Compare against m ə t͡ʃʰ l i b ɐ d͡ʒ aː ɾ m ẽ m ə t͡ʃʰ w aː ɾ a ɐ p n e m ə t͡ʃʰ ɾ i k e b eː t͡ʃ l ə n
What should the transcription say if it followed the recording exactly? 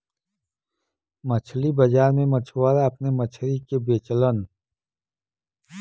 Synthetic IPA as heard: m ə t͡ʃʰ l i b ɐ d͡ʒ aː ɾ m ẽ m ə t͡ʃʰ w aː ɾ a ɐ p n e m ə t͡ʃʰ ɾ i k e b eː t͡ʃ l ə n